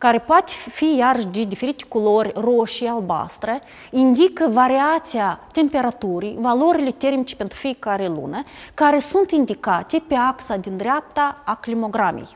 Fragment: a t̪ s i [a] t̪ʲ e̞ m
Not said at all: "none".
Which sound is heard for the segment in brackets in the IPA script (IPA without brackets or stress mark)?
a